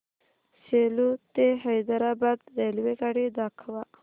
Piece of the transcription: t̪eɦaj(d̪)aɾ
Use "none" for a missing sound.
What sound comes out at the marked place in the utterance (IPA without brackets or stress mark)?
d̪